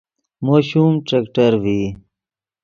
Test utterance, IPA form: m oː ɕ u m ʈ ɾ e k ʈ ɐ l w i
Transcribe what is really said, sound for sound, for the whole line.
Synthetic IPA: m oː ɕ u m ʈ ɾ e k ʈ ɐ ɾ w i